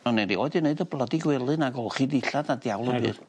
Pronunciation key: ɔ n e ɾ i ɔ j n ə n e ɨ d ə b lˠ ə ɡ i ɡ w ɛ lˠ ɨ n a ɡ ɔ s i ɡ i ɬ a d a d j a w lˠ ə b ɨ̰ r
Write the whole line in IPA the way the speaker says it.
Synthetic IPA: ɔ n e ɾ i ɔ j d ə n e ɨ d ə b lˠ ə d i ɡ w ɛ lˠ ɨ n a ɡ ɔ χ i d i ɬ a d a d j a w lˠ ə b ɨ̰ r